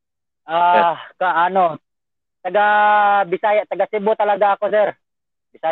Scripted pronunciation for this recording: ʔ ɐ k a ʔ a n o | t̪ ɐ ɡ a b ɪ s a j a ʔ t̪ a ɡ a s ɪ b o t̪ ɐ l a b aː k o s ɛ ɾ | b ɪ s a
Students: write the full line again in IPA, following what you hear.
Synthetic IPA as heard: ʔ a k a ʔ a n o | t̪ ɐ ɡ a b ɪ s a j a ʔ t̪ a ɡ a s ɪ b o t̪ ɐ l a ɡ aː k o s ɛ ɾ | b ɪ s a